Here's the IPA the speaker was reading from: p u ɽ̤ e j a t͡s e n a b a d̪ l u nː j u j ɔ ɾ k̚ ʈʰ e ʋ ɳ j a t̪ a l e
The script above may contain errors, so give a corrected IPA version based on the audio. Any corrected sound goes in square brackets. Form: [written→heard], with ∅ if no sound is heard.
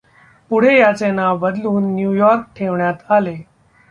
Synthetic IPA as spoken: p u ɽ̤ e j a t͡s e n a b [a→ə] d̪ l [u→uː] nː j u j ɔ ɾ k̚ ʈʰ e ʋ ɳ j a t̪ a l e

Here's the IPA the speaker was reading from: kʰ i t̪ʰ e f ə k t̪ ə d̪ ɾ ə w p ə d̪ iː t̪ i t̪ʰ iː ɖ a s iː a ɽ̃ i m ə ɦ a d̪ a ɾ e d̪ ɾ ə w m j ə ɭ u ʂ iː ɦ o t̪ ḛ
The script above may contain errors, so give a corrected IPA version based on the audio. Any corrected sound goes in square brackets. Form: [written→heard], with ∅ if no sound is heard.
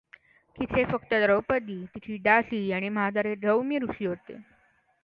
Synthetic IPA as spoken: [kʰ→k] i t̪ʰ e f ə k t̪ ə d̪ ɾ ə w p ə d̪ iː t̪ i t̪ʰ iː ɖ a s iː a ɽ̃ i m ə ɦ a d̪ a ɾ e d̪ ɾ ə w m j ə [ɭ→ɾ] u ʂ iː ɦ o t̪ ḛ

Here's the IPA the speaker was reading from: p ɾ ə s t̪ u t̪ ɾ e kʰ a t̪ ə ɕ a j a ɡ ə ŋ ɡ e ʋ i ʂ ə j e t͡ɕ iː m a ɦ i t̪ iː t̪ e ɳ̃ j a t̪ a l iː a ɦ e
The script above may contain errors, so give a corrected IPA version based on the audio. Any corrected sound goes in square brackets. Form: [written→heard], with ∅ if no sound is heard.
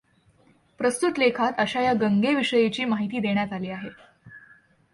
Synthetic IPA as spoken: p ɾ ə s t̪ u t̪ [ɾ→l] e kʰ a t̪ ə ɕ a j a ɡ ə ŋ ɡ e ʋ i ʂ ə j e t͡ɕ iː m a ɦ i t̪ iː [t̪→d̪] e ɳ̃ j a t̪ a l iː a ɦ e

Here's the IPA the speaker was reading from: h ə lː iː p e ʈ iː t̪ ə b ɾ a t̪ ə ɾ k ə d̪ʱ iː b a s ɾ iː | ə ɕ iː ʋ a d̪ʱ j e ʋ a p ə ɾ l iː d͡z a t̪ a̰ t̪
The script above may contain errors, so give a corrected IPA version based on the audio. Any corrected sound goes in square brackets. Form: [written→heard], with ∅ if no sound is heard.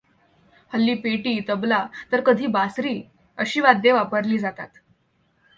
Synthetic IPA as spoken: h ə lː iː p e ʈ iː t̪ ə b [ɾ→l] a t̪ ə ɾ k ə d̪ʱ iː b a s ɾ iː | ə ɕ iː ʋ a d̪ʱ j e ʋ a p ə ɾ l iː d͡z a t̪ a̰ t̪

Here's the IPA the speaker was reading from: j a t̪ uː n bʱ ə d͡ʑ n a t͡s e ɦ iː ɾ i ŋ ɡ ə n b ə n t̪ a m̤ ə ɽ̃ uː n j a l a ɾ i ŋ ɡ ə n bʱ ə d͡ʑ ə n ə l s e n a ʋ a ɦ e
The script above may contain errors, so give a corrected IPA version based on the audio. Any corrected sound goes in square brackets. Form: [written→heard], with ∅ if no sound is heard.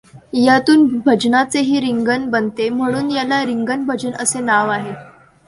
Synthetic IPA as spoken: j a t̪ uː n bʱ ə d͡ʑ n a t͡s e ɦ iː ɾ i ŋ ɡ ə n b ə n t̪ [a→e] m̤ ə ɽ̃ uː n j a l a ɾ i ŋ ɡ ə n bʱ ə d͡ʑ ə n ə [l→∅] s e n a ʋ a ɦ e

